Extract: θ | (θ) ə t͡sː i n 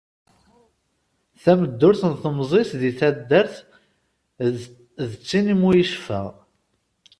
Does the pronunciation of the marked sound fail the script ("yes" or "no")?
yes